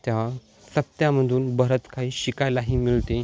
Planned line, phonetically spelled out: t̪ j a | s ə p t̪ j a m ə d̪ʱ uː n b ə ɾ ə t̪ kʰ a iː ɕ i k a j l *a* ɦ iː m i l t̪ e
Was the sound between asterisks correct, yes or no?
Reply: yes